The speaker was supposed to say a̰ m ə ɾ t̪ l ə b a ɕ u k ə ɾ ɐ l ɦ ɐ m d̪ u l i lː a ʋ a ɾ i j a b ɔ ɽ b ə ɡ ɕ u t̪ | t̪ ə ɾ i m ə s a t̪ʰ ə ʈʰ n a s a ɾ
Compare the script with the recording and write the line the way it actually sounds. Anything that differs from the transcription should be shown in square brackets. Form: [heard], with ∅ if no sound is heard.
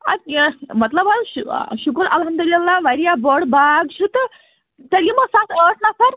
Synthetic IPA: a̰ m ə [∅] t̪ l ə b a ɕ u k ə ɾ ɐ l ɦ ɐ m d̪ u l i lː a ʋ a ɾ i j a b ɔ ɽ b [a] ɡ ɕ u t̪ | t̪ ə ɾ i m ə s a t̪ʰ ə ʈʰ n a s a ɾ